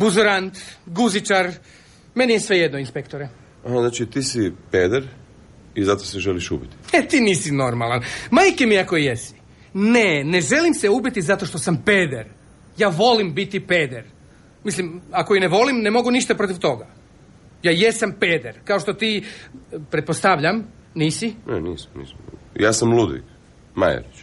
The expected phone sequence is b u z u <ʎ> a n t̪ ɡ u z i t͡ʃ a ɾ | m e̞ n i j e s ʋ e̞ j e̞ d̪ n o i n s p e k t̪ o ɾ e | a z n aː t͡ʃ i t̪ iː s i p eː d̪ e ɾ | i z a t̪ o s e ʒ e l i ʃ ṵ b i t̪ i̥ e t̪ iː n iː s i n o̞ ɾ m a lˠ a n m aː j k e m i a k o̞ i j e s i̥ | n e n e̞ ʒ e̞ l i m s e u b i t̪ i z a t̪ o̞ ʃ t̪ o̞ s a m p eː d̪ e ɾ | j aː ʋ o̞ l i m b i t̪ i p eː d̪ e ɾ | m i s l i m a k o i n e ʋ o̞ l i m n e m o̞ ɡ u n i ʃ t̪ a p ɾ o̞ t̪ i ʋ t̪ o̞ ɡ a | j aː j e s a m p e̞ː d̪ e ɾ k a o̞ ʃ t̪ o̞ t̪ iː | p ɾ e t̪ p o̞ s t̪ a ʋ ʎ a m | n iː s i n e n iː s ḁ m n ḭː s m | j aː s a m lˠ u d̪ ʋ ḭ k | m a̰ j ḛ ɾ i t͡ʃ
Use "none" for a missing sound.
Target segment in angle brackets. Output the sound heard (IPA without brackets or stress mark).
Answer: ɾ